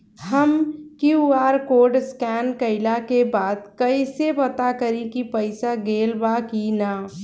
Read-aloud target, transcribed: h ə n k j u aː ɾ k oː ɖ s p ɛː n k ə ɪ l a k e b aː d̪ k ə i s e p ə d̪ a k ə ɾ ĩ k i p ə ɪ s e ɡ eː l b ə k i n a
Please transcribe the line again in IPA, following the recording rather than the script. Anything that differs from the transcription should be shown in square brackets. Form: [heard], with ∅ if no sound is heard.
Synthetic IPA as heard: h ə [m] k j u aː ɾ k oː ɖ s [k] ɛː n k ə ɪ l a k e b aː d̪ k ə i s e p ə [t̪] a k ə ɾ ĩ k i p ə ɪ s [a] ɡ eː l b [a] k i n a

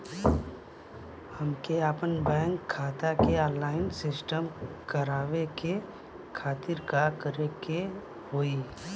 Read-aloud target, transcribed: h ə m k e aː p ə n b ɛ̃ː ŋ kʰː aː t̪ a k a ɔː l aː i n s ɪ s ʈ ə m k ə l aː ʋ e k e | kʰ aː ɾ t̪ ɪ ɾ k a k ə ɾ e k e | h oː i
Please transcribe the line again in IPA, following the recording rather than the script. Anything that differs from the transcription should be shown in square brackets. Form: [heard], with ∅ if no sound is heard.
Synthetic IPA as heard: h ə m k e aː p ə n b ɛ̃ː ŋ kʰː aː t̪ a k [e] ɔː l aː [ɪ] n s ɪ s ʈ ə m k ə [ɾ] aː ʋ e k e | kʰ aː [∅] t̪ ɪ ɾ k a k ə ɾ e k e | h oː i

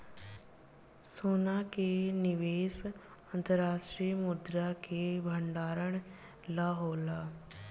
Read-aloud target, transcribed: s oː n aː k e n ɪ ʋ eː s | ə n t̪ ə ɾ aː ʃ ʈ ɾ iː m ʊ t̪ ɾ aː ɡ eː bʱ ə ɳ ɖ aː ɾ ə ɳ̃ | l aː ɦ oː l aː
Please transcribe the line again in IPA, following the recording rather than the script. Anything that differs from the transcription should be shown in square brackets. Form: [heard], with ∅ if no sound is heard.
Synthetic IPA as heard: s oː n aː k e n ɪ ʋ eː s | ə n t̪ ə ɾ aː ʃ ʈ ɾ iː m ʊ [d̪] ɾ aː [k] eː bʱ ə ɳ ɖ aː ɾ ə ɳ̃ | l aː ɦ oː l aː

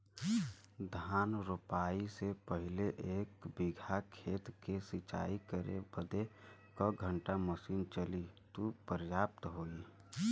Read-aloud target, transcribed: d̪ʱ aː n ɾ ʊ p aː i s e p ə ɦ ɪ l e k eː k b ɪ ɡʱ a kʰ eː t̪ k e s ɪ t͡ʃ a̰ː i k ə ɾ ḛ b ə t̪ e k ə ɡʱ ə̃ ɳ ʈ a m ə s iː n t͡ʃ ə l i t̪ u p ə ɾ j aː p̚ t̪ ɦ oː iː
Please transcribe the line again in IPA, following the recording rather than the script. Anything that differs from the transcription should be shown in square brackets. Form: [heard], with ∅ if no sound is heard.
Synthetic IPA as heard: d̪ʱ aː n ɾ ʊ p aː i s e p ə ɦ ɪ l e [ʔ] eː k b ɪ ɡʱ a kʰ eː t̪ k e s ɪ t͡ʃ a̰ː i k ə ɾ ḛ b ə [d̪] e k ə ɡʱ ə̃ ɳ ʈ a m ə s iː n t͡ʃ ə l i t̪ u p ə ɾ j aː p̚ t̪ ɦ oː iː

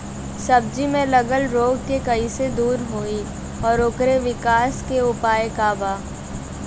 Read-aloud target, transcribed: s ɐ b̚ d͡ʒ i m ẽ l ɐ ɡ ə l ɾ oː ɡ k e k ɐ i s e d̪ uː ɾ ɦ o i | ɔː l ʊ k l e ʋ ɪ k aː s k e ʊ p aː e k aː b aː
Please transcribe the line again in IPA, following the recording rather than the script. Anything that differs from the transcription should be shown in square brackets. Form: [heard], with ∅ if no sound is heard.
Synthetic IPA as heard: s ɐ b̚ d͡ʒ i m ẽ l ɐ ɡ ə l ɾ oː ɡ k e k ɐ i s e d̪ uː ɾ ɦ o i | ɔː [ɾ] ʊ k [ɾ] e ʋ ɪ k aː s k e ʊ p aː e k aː b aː

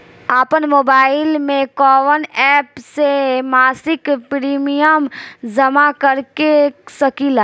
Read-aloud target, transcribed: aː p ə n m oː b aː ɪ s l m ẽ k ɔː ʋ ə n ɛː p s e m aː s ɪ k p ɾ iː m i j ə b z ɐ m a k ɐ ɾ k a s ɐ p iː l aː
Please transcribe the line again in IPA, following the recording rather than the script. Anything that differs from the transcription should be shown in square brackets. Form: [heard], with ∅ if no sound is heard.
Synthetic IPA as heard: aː p ə n m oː b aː ɪ [∅] l m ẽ k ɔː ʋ ə n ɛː p s e m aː s ɪ k p ɾ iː m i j ə [m] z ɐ m a k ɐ ɾ k [e] s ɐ [k] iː l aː

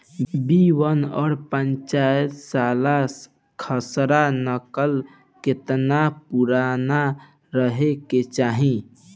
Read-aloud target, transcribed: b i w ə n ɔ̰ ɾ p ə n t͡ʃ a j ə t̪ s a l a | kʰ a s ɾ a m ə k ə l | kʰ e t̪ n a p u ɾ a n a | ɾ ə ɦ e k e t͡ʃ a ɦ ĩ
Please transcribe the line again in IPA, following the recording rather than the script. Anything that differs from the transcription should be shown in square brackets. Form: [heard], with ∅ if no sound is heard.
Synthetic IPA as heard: b i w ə n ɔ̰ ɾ p ə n t͡ʃ a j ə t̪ s a l a | kʰ [ə] s ɾ a [n] ə k ə l | [k] e t̪ n a p u ɾ a n a | ɾ ə ɦ e k e t͡ʃ a ɦ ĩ

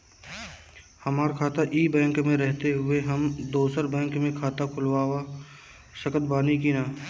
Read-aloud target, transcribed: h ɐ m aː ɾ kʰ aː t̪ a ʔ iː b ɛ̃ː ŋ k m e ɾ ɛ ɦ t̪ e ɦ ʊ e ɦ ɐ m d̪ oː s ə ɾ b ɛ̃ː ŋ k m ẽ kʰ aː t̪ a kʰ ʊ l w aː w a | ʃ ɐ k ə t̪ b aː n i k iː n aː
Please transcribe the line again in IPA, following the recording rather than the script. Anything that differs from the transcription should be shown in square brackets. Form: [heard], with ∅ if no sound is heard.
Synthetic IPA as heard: h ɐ m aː ɾ kʰ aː t̪ a ʔ iː b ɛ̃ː ŋ k m [ẽ] ɾ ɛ ɦ t̪ e ɦ ʊ e ɦ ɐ m d̪ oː s ə ɾ b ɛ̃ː ŋ k m ẽ kʰ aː t̪ a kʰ ʊ l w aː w a | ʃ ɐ k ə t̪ b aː n i k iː n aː

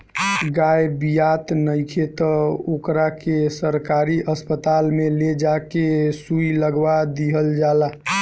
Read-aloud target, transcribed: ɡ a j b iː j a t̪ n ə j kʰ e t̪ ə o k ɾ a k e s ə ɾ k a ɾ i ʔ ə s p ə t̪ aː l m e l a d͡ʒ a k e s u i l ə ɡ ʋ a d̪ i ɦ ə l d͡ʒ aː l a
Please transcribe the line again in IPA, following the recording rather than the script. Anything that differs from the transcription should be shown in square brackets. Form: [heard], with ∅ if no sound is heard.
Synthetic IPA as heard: ɡ a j b [i] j a t̪ n ə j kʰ e t̪ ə o k ɾ a k e s ə ɾ k a ɾ i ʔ ə s p ə t̪ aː l m e l [e] d͡ʒ a k e s u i l ə ɡ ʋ a d̪ i ɦ ə l d͡ʒ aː l a

